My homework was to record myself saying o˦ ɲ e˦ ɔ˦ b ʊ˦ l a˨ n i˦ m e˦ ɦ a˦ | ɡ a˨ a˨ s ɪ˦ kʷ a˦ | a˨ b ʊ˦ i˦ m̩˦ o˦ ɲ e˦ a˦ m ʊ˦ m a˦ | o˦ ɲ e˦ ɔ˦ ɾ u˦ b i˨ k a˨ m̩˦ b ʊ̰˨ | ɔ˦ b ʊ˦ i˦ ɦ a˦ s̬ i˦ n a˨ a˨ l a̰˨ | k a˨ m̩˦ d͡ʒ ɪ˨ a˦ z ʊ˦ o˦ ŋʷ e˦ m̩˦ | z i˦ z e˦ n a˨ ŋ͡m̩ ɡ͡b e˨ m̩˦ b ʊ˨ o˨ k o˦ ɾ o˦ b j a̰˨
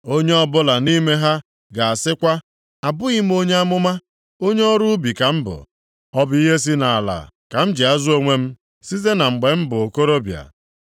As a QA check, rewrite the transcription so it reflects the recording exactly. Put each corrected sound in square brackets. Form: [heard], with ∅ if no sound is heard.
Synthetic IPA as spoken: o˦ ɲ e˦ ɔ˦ b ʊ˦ l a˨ n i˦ m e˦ ɦ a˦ | ɡ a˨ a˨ s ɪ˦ kʷ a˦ | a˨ b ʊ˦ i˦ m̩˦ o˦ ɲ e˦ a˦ m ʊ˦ m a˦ | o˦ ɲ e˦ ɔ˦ ɾ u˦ b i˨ k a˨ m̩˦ b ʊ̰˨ | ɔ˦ b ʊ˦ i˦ ɦ [e˦] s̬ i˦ n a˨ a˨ l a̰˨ | k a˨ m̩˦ d͡ʒ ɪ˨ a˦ z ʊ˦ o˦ ŋʷ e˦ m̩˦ | [s] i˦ z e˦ n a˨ ŋ͡m̩ ɡ͡b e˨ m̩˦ b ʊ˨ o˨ k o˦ ɾ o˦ b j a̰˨